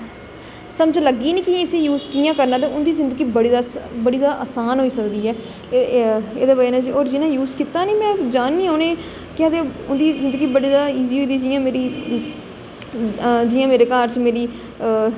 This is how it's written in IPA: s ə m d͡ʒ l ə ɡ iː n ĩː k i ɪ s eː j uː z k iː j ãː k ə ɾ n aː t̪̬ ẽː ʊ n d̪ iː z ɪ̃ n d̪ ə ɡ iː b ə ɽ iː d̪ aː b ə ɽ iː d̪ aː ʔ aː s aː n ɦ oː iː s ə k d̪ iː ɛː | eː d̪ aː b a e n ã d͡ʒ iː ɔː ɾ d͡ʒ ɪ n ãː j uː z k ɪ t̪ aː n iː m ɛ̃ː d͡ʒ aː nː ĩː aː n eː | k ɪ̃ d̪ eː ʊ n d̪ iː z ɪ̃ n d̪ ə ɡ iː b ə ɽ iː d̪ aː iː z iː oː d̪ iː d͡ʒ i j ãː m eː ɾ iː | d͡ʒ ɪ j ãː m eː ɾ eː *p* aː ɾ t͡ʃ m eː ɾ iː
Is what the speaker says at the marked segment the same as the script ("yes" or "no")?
no